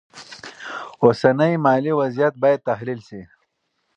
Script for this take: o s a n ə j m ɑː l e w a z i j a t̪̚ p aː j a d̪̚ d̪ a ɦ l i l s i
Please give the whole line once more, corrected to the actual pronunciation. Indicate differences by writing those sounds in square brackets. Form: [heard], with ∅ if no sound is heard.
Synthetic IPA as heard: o s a n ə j m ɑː l [i] w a z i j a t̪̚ [b] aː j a d̪̚ [t̪] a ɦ l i l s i

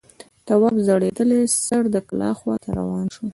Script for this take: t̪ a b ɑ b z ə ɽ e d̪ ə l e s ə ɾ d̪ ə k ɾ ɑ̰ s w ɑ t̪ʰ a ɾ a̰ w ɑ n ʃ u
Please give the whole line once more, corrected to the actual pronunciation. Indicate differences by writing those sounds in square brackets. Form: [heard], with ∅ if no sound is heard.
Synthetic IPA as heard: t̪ a [w] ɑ b z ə ɽ e d̪ ə l e s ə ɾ d̪ ə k [l] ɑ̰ [x] w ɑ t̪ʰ a ɾ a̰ w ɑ n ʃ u

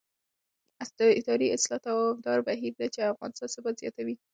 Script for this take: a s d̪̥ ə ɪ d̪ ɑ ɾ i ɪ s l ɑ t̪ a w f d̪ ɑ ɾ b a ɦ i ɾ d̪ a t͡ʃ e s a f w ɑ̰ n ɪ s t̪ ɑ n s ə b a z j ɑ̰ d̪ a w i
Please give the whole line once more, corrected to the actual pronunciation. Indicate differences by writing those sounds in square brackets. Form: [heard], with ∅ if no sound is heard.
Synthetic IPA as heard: a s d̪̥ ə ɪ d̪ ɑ ɾ i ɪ s l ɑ t̪ a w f d̪ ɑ ɾ b a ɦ i ɾ d̪ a t͡ʃ e [∅] a f [ɣ] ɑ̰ n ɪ s t̪ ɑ n s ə b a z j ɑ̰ [t̪] a w i

